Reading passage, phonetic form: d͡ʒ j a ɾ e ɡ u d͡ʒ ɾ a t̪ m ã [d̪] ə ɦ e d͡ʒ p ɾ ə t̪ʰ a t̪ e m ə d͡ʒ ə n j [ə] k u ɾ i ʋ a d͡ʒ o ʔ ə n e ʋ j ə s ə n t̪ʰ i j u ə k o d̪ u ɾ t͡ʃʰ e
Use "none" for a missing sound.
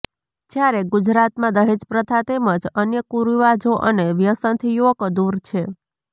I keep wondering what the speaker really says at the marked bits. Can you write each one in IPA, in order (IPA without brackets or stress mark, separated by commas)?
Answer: d̪, ə